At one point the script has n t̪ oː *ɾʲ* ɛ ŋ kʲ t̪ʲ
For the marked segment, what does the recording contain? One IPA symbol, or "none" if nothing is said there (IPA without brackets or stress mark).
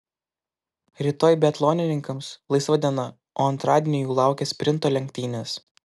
lʲ